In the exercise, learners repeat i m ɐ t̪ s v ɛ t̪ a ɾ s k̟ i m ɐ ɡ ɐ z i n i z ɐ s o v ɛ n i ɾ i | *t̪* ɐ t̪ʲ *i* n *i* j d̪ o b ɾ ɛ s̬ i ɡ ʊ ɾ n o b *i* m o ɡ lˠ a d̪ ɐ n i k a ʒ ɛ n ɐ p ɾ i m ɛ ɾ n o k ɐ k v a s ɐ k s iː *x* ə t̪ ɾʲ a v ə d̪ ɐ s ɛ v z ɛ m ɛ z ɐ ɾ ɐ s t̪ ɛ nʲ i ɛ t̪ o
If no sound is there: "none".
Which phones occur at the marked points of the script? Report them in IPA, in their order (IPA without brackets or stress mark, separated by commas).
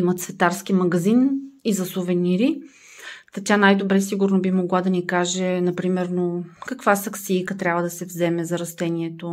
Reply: t̪, a, a, i, k